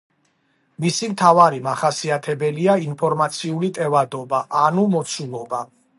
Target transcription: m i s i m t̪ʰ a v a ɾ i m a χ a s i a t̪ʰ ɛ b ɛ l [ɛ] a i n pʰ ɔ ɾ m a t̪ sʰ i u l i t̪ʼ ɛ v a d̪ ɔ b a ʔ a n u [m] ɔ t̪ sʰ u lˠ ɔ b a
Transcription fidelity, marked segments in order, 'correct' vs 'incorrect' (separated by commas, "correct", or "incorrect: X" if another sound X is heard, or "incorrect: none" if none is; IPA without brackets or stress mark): incorrect: i, correct